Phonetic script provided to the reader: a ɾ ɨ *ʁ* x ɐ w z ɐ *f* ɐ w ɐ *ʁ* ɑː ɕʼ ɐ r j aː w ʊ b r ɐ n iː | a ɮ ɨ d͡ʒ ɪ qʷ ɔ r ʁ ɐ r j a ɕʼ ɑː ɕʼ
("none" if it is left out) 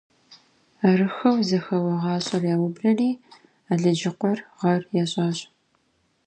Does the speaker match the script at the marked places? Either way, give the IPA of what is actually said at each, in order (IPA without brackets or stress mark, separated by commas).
none, x, ʁ